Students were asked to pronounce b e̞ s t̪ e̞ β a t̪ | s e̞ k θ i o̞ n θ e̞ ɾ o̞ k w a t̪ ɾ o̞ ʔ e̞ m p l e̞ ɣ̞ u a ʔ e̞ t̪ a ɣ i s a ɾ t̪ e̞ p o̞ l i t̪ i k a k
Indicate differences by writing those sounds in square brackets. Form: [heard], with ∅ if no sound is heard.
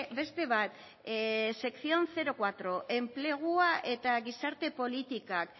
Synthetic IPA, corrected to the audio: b e̞ s t̪ e̞ β a t̪ | s e̞ k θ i o̞ n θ e̞ ɾ o̞ k w a t̪ ɾ o̞ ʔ e̞ m p l e̞ ɣ̞ u a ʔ e̞ t̪ a ɣ i s a ɾ t̪ e̞ p o̞ l i t̪ i k a k